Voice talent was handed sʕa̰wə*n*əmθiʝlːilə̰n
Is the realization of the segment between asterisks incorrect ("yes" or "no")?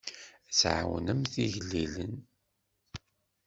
no